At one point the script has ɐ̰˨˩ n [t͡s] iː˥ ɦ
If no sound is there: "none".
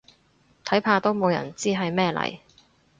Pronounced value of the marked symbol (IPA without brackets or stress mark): t͡s